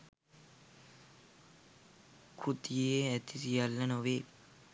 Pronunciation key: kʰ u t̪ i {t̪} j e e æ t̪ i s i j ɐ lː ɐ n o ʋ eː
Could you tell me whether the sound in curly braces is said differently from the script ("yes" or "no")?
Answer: yes